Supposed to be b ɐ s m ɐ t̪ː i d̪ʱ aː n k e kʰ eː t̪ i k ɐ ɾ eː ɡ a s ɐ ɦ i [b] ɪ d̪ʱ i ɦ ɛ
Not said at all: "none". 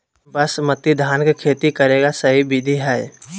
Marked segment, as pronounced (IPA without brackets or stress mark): b